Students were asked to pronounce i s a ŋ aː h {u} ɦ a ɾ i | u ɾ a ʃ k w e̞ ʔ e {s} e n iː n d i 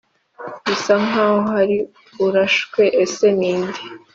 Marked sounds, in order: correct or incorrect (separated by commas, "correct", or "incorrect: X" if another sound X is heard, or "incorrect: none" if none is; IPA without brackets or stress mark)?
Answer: incorrect: o, correct